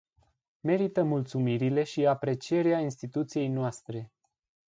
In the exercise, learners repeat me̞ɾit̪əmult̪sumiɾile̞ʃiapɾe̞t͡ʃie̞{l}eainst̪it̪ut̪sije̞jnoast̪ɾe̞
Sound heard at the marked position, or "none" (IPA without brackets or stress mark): ɾ